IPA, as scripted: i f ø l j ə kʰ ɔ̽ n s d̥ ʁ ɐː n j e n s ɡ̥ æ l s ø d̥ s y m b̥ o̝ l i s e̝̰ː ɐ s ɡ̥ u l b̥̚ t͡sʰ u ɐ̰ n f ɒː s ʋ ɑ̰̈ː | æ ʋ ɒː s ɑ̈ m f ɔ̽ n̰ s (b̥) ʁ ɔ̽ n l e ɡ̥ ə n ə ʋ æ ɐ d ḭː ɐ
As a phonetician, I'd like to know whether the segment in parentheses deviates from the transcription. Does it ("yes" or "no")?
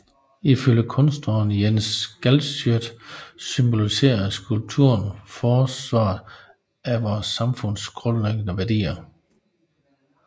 yes